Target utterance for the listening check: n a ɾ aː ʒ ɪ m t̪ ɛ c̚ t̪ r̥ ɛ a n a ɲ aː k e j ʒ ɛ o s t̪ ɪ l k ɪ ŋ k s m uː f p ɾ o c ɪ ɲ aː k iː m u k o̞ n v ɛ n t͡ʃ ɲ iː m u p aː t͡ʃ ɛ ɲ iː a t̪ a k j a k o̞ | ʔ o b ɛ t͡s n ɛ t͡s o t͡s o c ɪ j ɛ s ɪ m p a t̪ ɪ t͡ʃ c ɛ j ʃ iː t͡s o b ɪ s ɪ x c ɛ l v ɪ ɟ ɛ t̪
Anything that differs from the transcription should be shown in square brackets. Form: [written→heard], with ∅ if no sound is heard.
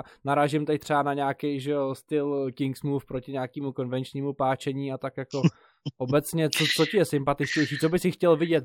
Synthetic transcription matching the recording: n a ɾ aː ʒ ɪ m t̪ ɛ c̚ t̪ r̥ ɛ a n a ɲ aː k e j ʒ ɛ o s t̪ ɪ l k ɪ ŋ k s m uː f p ɾ o c ɪ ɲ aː k iː m u k o̞ n v ɛ n t͡ʃ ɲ iː m u p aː t͡ʃ ɛ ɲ iː a t̪ a k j a k o̞ | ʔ o b ɛ t͡s [n→ɲ] ɛ t͡s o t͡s o c ɪ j ɛ s ɪ m p a t̪ ɪ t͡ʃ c ɛ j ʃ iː t͡s o b ɪ s ɪ x c ɛ l v ɪ ɟ ɛ t̪